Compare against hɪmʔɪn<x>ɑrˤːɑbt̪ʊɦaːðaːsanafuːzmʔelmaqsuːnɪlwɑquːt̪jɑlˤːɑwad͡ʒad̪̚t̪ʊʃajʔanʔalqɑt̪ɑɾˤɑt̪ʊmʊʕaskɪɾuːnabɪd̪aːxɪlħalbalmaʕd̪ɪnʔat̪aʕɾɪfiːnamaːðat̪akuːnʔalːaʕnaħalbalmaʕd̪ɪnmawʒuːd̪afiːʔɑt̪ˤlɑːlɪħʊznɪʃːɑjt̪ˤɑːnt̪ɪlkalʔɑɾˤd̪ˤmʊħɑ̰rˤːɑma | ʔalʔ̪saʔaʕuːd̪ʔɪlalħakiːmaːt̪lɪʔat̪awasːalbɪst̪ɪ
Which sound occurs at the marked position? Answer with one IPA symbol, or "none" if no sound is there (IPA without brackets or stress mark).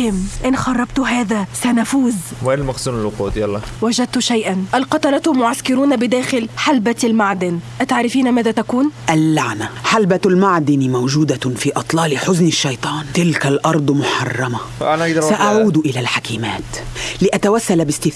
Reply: x